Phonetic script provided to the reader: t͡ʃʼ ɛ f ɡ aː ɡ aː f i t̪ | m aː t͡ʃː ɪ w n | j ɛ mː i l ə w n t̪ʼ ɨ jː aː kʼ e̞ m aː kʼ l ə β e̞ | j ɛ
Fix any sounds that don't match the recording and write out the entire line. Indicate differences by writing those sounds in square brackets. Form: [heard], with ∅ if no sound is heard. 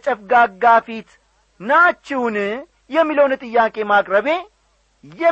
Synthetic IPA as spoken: t͡ʃʼ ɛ f ɡ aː ɡ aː f i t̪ | [n] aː t͡ʃː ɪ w n | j ɛ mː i l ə w n t̪ʼ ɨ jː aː kʼ e̞ m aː kʼ [ɾ] ə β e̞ | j ɛ